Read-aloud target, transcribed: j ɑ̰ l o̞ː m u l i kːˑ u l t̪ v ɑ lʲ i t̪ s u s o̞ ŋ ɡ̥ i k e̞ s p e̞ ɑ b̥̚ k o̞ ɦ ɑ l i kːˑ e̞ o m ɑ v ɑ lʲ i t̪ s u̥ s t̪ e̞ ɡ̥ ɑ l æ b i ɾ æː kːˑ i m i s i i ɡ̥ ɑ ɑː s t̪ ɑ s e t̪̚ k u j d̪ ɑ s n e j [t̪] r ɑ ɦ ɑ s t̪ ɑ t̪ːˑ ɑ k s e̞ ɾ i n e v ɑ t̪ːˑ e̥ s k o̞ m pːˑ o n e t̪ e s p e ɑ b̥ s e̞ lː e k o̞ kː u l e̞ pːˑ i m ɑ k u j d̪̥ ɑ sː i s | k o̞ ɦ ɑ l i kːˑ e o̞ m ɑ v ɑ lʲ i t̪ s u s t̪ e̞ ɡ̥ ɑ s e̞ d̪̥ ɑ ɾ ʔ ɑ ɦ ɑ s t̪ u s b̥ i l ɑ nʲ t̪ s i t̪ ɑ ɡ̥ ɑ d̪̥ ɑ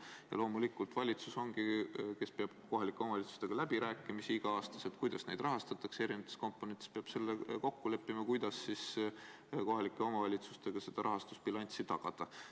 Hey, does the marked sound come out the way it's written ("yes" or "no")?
no